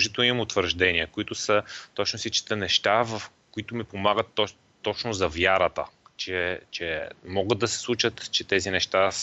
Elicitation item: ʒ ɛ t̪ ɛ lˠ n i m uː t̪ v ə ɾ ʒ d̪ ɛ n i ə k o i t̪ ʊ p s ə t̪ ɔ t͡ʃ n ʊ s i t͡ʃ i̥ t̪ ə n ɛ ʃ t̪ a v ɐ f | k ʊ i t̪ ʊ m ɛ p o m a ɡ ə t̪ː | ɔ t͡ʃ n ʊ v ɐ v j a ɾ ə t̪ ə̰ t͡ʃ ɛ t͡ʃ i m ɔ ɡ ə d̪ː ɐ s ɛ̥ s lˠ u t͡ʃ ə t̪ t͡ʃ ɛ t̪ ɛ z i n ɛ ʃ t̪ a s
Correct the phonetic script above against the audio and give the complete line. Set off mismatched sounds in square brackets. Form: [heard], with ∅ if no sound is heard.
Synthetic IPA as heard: ʒ [i] t̪ ɛ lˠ n i m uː t̪ v ə ɾ ʒ d̪ ɛ n i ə k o i t̪ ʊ [∅] s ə t̪ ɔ t͡ʃ n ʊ s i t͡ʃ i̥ t̪ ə n ɛ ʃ t̪ a v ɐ f | k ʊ i t̪ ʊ m [i] p o m a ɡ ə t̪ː | ɔ t͡ʃ n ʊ [z] ɐ v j a ɾ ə t̪ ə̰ t͡ʃ ɛ t͡ʃ [ɛ] m ɔ ɡ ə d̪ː ɐ s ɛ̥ s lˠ u t͡ʃ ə t̪ t͡ʃ ɛ t̪ ɛ z i n ɛ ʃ t̪ a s